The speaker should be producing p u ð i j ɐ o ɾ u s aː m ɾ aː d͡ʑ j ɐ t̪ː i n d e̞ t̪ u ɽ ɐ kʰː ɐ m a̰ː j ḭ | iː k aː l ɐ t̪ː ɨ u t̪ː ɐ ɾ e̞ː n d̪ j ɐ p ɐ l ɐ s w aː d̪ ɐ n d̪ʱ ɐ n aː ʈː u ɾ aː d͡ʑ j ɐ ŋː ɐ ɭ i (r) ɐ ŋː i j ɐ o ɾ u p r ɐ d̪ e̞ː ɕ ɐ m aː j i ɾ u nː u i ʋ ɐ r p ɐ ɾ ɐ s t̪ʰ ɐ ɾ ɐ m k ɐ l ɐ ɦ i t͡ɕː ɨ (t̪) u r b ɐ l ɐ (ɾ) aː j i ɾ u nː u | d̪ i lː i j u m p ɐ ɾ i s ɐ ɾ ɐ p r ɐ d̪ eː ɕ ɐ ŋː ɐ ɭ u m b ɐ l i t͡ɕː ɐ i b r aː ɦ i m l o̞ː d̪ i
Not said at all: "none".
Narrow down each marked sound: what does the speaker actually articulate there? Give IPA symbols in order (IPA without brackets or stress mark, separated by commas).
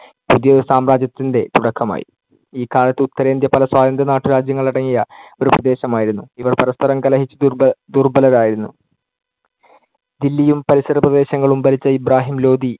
ɽ, d̪, ɾ